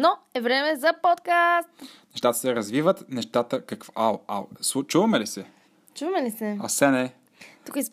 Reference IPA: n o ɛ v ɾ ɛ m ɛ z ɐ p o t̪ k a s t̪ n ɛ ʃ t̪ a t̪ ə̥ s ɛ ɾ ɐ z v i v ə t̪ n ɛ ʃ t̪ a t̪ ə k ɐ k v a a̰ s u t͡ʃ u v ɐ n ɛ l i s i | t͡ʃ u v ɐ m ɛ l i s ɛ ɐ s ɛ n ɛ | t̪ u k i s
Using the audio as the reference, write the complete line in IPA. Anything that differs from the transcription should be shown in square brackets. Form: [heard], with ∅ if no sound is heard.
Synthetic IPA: n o ɛ v ɾ ɛ m ɛ z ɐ p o t̪ k a s t̪ n ɛ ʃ t̪ a t̪ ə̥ s ɛ ɾ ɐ z v i v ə t̪ n ɛ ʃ t̪ a t̪ ə k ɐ k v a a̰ s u t͡ʃ u v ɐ [m] ɛ l i s [ɛ] | t͡ʃ u v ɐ m ɛ l i s ɛ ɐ s ɛ n ɛ | t̪ u k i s